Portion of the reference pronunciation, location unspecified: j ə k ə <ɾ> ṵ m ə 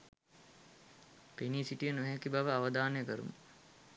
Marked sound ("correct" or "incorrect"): correct